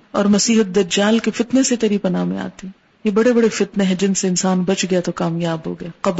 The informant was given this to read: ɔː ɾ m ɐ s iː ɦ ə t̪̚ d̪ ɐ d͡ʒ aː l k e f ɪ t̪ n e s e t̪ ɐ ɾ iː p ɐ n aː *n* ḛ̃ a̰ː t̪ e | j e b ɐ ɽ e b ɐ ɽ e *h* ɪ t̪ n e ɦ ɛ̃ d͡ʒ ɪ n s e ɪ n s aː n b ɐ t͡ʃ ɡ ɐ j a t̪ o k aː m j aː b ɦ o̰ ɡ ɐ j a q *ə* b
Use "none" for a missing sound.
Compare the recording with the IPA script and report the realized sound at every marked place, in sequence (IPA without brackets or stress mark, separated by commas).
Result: m, f, ɐ